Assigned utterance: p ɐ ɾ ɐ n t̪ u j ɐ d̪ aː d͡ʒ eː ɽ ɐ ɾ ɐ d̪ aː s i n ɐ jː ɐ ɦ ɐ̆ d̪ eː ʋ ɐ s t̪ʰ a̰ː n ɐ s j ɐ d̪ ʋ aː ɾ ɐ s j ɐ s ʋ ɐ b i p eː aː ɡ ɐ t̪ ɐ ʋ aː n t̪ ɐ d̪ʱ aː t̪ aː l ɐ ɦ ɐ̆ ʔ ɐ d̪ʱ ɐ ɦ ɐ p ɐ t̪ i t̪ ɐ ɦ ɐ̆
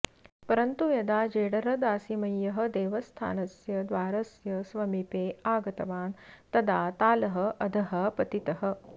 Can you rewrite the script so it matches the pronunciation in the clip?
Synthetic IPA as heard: p ɐ ɾ ɐ n t̪ u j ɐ d̪ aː d͡ʒ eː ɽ ɐ ɾ ɐ d̪ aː s i m ɐ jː ɐ ɦ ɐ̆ d̪ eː ʋ ɐ s t̪ʰ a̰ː n ɐ s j ɐ d̪ ʋ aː ɾ ɐ s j ɐ s ʋ ɐ m i p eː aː ɡ ɐ t̪ ɐ ʋ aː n t̪ ɐ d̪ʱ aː t̪ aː l ɐ ɦ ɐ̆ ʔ ɐ d̪ʱ ɐ ɦ ɐ p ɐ t̪ i t̪ ɐ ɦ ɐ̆